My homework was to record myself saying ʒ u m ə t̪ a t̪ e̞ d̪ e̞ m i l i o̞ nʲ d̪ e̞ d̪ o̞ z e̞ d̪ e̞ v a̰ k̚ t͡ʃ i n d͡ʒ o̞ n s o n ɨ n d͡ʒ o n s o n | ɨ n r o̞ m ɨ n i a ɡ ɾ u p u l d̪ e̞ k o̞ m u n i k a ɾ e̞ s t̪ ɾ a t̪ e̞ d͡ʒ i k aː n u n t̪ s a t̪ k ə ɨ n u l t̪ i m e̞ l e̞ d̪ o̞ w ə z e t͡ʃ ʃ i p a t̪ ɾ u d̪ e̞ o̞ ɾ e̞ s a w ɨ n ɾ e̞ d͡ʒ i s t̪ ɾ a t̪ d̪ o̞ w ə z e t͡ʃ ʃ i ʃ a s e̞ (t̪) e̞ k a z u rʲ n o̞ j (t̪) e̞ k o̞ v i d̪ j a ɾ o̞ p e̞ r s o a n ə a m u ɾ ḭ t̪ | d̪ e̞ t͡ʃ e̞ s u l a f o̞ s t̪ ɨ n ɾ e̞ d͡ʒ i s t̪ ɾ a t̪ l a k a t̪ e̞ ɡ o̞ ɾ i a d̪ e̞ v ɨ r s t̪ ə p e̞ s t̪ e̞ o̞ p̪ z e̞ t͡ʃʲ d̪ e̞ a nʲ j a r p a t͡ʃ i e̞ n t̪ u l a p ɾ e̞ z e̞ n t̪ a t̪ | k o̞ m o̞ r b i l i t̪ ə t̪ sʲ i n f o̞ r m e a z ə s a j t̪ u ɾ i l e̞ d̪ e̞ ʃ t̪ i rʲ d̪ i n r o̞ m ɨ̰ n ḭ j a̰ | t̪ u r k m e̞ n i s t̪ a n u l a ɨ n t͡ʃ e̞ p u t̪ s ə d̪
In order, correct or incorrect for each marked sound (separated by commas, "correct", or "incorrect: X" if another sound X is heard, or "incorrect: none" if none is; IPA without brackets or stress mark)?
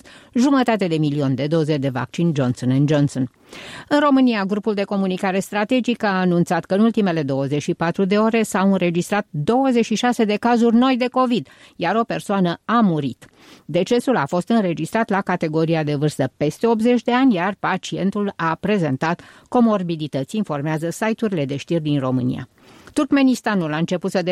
incorrect: d̪, incorrect: d̪